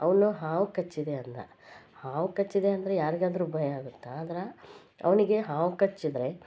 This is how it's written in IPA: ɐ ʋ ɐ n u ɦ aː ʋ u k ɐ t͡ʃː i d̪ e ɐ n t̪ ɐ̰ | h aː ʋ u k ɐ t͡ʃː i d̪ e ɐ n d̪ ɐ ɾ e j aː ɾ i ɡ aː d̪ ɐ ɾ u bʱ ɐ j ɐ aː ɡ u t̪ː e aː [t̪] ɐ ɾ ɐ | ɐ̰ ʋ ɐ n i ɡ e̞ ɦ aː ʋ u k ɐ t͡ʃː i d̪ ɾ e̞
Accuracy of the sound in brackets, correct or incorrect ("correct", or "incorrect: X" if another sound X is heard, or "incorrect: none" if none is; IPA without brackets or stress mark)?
incorrect: d̪